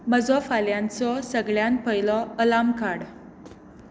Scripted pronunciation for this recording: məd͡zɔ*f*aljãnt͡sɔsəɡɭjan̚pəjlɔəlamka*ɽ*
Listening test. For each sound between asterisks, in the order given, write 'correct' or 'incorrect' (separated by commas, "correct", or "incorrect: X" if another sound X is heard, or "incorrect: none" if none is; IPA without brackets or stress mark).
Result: correct, correct